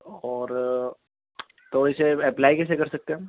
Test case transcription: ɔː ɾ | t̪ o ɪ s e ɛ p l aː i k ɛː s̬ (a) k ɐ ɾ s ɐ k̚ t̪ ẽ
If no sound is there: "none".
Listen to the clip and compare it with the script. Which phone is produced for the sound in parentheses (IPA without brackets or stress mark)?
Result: e